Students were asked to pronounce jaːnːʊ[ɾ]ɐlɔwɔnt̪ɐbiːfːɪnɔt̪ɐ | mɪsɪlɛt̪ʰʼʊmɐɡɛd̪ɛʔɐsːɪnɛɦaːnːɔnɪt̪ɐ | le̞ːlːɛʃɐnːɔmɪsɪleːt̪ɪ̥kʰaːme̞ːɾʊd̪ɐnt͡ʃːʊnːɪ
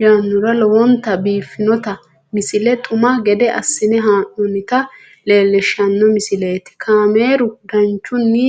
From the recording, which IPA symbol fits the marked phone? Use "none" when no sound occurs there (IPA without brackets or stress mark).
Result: ɾ